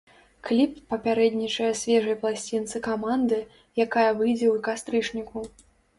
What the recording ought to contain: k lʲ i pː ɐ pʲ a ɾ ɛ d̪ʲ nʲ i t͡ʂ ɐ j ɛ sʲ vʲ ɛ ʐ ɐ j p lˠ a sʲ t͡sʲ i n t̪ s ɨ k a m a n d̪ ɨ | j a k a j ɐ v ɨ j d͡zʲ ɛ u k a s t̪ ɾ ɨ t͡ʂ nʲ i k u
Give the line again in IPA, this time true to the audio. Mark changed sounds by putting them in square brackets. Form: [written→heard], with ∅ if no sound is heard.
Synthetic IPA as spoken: k lʲ i pː ɐ pʲ a ɾ ɛ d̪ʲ nʲ i t͡ʂ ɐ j ɛ sʲ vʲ ɛ ʐ ɐ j p lˠ a sʲ t͡sʲ i n t̪ s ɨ k a m a n d̪ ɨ | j a k a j ɐ v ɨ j d͡zʲ ɛ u k a s t̪ ɾ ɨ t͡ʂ nʲ i k u